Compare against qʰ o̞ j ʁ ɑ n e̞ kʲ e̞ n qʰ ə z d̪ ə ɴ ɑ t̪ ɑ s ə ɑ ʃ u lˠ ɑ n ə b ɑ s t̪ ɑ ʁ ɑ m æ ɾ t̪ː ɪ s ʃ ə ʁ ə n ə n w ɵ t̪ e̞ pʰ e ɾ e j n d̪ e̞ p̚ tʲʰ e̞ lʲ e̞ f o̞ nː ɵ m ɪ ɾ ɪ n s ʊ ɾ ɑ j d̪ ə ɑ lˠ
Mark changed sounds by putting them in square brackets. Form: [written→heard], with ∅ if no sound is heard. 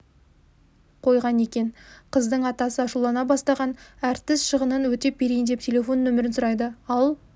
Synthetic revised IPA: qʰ o̞ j ʁ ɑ n e̞ kʲ e̞ n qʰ ə z d̪ ə ɴ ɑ t̪ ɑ s ə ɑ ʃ u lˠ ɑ n [ə→ɑ] b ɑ s t̪ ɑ ʁ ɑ [m→n] æ ɾ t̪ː ɪ s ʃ ə ʁ ə n ə n w ɵ t̪ e̞ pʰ e ɾ e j n d̪ e̞ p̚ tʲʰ e̞ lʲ e̞ f o̞ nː ɵ m ɪ ɾ ɪ n s ʊ ɾ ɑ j d̪ ə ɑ lˠ